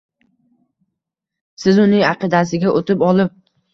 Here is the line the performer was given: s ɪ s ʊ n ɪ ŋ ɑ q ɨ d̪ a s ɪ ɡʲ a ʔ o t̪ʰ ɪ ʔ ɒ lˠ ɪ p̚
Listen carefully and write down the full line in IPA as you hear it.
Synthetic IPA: s ɪ z ʊ n ɪ ŋ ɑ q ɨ d̪ a s ɪ ɡʲ a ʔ o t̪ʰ ɪ p ɒ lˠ ɪ p̚